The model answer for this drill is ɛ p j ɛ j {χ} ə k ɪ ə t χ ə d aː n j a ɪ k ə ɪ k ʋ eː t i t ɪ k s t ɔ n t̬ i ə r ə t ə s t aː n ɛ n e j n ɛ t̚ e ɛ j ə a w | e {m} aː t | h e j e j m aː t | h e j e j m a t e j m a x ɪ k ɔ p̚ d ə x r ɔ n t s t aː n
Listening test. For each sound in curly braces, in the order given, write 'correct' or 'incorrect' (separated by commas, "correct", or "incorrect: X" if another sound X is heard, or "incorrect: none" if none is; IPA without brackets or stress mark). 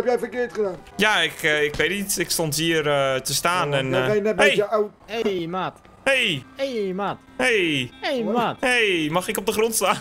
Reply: incorrect: f, correct